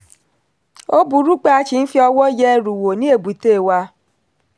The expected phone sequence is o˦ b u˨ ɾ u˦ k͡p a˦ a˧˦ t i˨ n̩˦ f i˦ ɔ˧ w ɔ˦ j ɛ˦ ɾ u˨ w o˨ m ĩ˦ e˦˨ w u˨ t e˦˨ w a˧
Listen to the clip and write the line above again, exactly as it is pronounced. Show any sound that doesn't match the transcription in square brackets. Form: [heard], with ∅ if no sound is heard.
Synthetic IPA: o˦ b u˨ ɾ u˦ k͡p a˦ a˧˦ [t͡ʃ] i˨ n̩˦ f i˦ ɔ˧ w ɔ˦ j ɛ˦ ɾ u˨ w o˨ [n] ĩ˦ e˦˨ [b] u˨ t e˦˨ w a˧